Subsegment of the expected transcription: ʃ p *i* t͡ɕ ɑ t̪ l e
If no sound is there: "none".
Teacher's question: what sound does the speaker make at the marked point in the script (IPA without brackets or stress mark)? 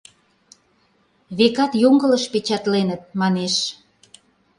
e